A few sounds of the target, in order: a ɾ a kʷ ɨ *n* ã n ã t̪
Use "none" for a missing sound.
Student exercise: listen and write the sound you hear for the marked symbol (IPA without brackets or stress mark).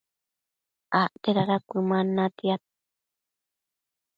m